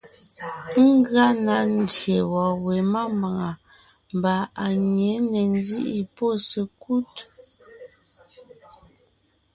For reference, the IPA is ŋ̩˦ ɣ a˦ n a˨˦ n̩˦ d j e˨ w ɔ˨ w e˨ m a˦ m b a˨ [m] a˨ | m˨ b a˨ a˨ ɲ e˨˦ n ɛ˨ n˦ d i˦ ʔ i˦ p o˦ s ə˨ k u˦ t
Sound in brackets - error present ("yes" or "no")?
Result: yes